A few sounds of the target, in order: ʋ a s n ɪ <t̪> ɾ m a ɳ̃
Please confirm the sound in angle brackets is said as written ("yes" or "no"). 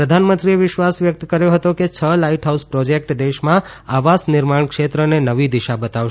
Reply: no